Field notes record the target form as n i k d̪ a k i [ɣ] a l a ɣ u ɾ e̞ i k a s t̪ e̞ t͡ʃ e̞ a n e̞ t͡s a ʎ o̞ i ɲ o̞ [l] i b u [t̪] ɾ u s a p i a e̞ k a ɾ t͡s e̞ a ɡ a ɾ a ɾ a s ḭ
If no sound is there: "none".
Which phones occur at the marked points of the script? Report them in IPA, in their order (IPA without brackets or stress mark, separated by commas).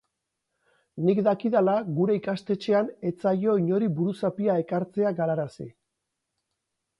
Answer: ð, ɾ, none